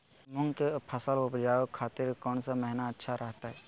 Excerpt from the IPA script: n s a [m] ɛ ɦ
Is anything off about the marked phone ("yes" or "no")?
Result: no